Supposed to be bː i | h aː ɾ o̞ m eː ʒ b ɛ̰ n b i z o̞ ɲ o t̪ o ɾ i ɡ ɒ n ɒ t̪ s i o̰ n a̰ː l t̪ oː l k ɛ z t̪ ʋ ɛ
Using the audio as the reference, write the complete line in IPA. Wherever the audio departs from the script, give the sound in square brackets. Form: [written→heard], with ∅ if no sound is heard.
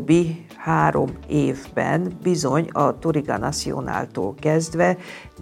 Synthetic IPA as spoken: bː i | h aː ɾ o̞ m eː [ʒ→v] b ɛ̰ n b i z o̞ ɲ [o→ɒ] t̪ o ɾ i ɡ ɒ n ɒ t̪ s i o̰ n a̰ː l t̪ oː l k ɛ z [t̪→d̪] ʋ ɛ